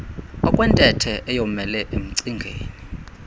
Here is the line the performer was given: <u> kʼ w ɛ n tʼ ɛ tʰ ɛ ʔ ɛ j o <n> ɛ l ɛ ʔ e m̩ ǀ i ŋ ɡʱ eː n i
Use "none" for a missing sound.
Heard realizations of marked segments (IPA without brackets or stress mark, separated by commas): ɔ, m